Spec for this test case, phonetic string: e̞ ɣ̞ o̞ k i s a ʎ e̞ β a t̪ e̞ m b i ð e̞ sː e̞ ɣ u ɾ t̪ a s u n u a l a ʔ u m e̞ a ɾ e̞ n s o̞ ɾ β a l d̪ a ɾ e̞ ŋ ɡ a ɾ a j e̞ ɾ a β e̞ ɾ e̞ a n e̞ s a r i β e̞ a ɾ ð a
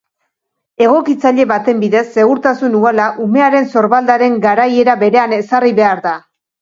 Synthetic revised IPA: e̞ ɣ̞ o̞ k i t͡s a ʎ e̞ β a t̪ e̞ m b i ð e̞ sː e̞ ɣ u ɾ t̪ a s u n u a l a ʔ u m e̞ a ɾ e̞ n s o̞ ɾ β a l d̪ a ɾ e̞ ŋ ɡ a ɾ a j e̞ ɾ a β e̞ ɾ e̞ a n e̞ s a r i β e̞ a ɾ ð a